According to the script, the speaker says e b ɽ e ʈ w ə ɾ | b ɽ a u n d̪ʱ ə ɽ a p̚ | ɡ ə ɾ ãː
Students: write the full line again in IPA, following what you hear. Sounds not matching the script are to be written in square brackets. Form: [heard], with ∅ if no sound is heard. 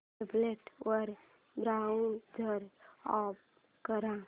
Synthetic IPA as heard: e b [l] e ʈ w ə ɾ | b [ɾ] a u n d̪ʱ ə [ɾ] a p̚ | [k] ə ɾ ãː

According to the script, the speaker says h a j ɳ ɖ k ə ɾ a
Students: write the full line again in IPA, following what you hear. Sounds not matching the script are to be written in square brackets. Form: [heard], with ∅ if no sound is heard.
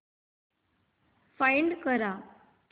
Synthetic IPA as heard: [f] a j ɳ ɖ k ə ɾ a

